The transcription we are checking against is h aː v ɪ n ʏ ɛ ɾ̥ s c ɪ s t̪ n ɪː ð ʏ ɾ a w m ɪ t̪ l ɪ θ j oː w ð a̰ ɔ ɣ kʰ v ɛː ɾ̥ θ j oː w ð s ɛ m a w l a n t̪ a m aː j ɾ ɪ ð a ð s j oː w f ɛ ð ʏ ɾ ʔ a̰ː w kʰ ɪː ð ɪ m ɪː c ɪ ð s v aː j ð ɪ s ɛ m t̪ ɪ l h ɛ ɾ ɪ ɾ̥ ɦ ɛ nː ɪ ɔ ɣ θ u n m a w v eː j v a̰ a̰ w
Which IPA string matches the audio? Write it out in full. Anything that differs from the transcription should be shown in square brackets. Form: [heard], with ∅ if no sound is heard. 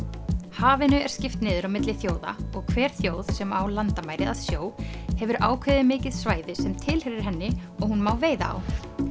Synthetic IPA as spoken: h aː v ɪ n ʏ ɛ ɾ̥ s c ɪ [f] t̪ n ɪː ð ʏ ɾ a w m ɪ t̪ l ɪ θ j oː w ð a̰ ɔ ɣ kʰ v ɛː ɾ̥ θ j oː w ð s ɛ m a w l a n t̪ a m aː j ɾ ɪ ð a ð s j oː w [h] ɛ [v] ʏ ɾ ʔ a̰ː w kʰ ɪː ð ɪ m ɪː c ɪ ð s v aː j ð ɪ s ɛ m [t̪ʰ] ɪ l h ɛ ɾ ɪ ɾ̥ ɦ ɛ nː ɪ ɔ ɣ [h] u n m a w v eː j [ð] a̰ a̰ w